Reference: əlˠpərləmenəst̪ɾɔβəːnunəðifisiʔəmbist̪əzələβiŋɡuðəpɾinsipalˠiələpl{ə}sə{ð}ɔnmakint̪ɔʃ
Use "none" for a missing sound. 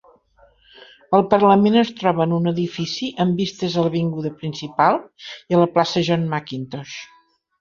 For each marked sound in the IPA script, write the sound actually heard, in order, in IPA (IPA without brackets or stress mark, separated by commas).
a, ʒ